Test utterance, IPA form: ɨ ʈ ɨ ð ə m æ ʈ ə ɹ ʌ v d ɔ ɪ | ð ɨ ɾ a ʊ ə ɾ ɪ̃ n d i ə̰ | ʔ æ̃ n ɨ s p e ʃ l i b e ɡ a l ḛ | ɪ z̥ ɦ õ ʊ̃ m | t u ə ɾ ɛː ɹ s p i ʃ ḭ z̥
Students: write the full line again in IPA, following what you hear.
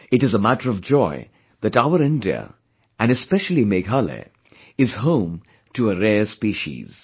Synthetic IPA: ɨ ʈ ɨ z ə m æ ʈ ə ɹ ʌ v d͡ʒ ɔ ɪ | ð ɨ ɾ a ʊ ə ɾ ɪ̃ n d i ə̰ | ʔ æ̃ n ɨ s p ɛ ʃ l i m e ɡ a l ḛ | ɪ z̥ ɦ õ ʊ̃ m | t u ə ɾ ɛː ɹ s p i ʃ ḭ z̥

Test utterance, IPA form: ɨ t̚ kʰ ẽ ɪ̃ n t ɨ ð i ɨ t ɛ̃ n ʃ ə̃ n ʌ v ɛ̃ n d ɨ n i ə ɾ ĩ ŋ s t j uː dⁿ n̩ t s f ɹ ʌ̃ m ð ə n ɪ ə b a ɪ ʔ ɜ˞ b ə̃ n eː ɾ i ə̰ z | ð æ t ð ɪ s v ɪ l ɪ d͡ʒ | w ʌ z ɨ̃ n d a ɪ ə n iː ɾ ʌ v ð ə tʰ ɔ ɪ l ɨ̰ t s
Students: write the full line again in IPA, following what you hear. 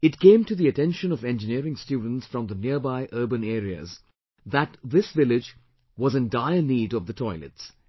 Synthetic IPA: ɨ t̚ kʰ ẽ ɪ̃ m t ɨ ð i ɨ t ɛ̃ n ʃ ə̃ n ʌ v ɛ̃ n d͡ʒ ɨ n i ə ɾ ɪ̃ ŋ s t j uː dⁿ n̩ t s f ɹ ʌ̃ m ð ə n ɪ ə b a ɪ ʔ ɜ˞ b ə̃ n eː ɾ i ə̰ z | ð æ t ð ɪ s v ɪ l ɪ d͡ʒ | w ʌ z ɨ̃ n d a ɪ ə n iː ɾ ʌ v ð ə tʰ ɔ ɪ l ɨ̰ t s

